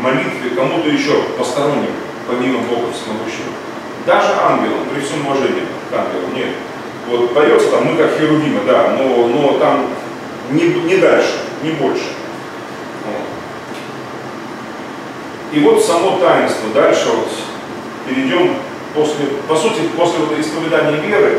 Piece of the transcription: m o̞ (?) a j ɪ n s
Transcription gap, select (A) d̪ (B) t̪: B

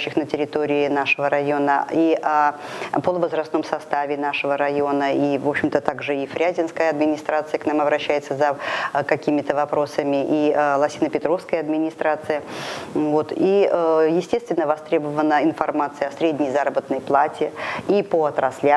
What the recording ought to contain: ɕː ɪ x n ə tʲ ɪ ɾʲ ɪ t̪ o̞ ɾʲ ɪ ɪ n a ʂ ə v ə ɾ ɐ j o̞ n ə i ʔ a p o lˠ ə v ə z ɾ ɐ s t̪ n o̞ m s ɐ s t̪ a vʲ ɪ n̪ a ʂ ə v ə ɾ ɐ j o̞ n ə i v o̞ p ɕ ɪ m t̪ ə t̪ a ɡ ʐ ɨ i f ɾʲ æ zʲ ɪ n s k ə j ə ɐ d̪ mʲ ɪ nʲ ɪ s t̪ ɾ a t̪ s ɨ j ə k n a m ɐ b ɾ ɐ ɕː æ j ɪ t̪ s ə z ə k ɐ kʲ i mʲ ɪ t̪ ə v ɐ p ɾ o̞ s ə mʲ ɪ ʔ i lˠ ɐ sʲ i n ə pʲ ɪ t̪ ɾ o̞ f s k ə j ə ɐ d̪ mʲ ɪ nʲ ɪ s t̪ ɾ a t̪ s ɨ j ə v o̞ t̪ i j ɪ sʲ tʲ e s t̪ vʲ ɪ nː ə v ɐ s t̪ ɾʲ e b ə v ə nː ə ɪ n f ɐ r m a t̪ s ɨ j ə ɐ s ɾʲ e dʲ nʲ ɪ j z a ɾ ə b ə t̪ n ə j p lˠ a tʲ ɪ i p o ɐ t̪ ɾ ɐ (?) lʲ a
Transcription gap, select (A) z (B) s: B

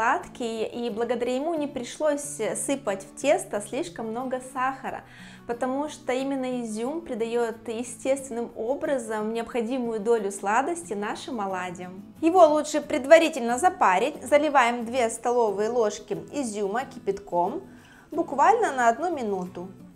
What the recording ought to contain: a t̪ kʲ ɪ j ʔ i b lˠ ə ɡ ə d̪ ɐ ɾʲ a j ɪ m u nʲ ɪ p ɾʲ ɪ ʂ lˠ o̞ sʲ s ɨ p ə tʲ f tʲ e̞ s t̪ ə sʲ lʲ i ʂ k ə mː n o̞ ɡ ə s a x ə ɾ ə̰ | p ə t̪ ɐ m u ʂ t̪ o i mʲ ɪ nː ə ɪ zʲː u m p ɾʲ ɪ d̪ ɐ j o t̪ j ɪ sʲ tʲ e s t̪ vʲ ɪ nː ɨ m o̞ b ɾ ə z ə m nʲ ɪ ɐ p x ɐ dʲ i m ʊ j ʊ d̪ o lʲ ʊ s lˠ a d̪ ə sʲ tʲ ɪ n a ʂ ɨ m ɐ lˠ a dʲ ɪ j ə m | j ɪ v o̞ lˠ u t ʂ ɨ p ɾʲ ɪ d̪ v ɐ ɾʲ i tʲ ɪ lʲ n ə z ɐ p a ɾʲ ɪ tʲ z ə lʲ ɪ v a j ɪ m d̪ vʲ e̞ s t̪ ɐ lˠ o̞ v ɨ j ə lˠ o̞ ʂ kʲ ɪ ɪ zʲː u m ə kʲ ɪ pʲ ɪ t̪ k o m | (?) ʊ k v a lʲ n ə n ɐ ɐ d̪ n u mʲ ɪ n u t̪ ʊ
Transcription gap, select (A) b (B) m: A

